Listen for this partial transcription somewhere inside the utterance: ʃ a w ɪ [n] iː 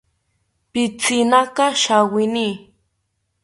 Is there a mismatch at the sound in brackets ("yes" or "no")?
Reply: no